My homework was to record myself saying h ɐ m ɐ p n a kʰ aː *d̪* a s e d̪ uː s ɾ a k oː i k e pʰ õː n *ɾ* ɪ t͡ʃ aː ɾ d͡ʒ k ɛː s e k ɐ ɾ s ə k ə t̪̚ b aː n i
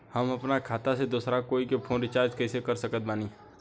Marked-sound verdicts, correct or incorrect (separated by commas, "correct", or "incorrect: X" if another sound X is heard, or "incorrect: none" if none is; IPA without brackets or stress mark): incorrect: t̪, correct